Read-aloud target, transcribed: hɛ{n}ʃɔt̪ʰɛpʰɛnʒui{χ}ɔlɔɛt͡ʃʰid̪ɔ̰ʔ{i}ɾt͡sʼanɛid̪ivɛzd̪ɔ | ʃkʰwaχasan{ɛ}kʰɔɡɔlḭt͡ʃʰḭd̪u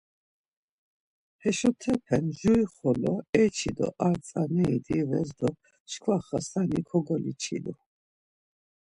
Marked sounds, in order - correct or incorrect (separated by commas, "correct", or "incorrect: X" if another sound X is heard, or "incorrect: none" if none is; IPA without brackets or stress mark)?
incorrect: none, correct, incorrect: a, incorrect: i